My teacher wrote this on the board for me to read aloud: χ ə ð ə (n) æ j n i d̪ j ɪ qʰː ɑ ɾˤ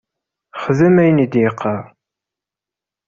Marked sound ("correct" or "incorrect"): incorrect